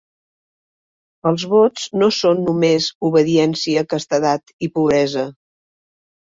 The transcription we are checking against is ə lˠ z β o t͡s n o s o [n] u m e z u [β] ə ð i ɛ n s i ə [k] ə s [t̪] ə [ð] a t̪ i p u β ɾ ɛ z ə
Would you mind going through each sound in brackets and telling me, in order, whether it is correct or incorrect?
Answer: incorrect: nː, correct, correct, correct, correct

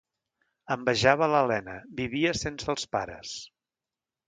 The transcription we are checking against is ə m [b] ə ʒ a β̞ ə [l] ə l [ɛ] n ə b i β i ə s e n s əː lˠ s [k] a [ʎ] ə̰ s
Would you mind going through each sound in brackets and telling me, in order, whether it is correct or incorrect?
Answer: correct, correct, correct, incorrect: p, incorrect: ɾ

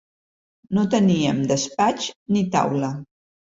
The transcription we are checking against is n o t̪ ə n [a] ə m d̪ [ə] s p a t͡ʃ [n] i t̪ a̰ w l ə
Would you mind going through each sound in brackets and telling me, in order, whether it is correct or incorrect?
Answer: incorrect: i, correct, correct

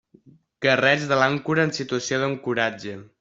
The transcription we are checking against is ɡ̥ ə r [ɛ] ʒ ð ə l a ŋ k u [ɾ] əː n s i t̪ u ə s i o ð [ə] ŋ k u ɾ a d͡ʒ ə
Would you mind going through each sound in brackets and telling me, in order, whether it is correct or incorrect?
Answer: correct, correct, correct

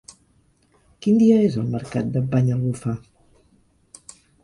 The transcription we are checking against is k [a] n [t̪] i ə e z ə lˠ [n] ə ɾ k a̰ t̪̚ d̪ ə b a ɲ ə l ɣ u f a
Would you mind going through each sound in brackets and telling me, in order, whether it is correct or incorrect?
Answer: incorrect: i, incorrect: d̪, incorrect: m

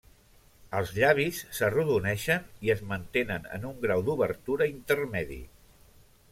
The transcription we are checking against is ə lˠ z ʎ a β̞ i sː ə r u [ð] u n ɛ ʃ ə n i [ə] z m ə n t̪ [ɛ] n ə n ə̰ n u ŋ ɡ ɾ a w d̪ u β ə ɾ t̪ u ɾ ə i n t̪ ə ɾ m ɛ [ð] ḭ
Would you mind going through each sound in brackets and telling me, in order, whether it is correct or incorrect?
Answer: correct, correct, incorrect: e, correct

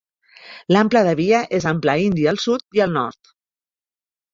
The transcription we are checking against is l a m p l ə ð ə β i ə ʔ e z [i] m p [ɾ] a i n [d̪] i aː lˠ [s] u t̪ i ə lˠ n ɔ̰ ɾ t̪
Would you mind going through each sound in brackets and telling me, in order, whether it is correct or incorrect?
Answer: incorrect: a, incorrect: l, correct, correct

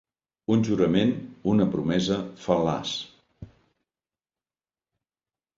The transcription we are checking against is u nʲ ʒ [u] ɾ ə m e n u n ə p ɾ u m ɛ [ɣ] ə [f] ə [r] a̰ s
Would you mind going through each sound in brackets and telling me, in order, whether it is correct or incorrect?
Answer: correct, incorrect: z, correct, incorrect: l

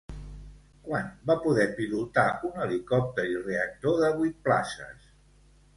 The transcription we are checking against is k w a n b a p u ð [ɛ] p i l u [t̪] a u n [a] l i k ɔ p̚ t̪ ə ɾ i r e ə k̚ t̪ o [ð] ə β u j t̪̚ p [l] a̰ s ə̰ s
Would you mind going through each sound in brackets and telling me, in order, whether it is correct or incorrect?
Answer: correct, correct, incorrect: ə, correct, correct

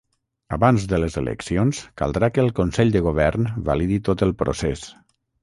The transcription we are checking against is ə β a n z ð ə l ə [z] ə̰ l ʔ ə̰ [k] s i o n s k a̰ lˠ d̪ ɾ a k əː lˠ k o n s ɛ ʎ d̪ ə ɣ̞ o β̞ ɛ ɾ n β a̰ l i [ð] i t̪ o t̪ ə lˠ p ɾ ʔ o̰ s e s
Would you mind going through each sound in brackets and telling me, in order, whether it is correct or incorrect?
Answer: correct, correct, correct

